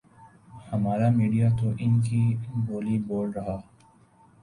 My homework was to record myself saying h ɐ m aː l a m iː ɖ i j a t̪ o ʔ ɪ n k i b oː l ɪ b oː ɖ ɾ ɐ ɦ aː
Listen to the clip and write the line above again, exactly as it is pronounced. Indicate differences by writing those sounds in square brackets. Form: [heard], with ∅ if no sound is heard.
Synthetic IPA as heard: h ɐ m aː [ɾ] a m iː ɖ i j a t̪ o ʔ ɪ n k i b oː l [i] b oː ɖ ɾ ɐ ɦ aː